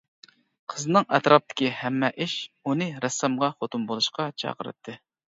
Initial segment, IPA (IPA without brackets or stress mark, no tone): qʰ